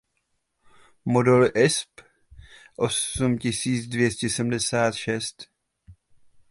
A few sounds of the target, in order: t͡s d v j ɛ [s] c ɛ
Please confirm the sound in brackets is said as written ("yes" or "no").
yes